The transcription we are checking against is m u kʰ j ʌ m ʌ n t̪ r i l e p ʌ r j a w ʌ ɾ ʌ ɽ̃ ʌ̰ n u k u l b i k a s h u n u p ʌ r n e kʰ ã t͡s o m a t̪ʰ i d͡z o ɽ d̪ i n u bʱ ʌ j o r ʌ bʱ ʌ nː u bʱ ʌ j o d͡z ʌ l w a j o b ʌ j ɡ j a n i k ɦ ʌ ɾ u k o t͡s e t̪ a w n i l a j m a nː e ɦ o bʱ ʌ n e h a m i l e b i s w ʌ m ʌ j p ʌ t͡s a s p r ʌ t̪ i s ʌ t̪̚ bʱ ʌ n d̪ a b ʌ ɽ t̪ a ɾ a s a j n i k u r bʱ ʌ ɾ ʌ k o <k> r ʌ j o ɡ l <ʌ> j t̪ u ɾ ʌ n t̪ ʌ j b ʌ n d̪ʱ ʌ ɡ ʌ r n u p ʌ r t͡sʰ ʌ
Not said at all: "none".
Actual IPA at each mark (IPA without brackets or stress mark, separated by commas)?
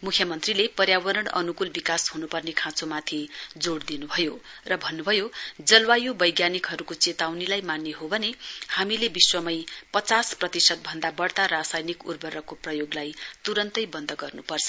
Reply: p, a